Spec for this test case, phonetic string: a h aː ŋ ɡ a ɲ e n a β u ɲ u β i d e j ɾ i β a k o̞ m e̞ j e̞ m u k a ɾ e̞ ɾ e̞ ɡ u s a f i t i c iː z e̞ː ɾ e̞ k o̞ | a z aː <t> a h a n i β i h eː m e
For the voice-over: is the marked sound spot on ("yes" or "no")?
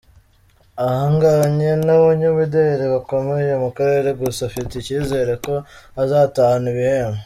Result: yes